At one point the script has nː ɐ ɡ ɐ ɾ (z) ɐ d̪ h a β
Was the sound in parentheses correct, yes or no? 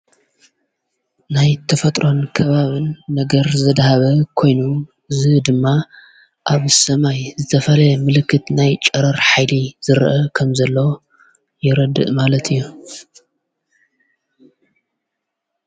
yes